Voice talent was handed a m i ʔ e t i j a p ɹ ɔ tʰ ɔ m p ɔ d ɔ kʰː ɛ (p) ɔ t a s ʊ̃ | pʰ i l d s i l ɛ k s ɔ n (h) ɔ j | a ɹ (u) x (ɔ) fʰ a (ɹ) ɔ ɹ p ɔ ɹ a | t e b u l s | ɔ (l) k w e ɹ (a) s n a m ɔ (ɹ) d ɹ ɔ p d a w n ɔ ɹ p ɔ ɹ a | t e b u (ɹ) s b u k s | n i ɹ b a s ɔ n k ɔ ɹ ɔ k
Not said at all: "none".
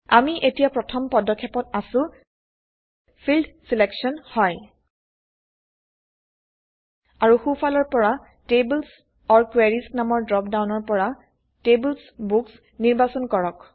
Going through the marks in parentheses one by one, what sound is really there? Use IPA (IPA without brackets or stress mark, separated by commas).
p, h, u, u, l, ɹ, i, ɹ, l